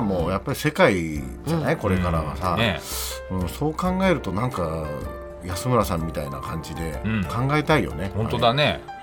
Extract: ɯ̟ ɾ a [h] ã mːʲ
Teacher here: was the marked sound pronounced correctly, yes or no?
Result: no